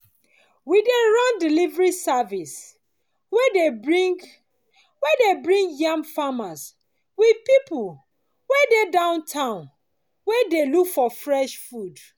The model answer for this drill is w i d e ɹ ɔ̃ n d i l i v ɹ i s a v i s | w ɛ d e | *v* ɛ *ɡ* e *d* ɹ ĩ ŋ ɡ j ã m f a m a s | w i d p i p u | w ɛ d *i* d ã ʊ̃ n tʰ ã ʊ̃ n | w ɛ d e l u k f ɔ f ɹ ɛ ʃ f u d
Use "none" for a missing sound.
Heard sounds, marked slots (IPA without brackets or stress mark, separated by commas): w, d, b, e